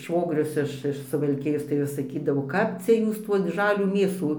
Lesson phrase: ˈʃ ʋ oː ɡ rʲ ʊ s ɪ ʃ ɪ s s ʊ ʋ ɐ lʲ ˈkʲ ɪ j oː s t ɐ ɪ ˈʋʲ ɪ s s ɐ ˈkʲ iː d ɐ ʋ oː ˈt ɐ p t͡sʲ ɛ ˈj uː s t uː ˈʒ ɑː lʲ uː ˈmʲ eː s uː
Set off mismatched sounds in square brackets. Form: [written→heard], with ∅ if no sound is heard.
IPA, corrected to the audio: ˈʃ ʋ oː ɡ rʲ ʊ s ɪ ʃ ɪ [s→ʃ] s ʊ ʋ ɐ lʲ ˈkʲ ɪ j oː s t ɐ ɪ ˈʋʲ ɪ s s ɐ ˈkʲ iː d ɐ ʋ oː [ˈt→ˈk] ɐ p t͡sʲ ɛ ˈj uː s t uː ˈʒ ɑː lʲ uː ˈmʲ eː s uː